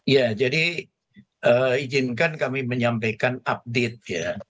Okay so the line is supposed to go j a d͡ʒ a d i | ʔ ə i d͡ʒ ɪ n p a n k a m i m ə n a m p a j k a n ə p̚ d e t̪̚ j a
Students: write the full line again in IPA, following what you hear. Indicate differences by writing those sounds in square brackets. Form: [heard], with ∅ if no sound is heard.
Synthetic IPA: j a d͡ʒ a d i | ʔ ə i d͡ʒ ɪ n [k] a n k a m i m ə [ɲ] a m p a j k a n [a] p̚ d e t̪̚ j a